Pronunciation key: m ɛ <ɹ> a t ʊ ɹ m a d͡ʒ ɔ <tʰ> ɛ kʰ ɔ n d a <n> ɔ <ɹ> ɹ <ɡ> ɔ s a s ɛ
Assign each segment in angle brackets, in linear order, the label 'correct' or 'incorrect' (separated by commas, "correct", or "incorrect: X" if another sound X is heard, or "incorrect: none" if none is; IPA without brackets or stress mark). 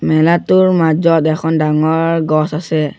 incorrect: l, incorrect: t, incorrect: ŋ, correct, correct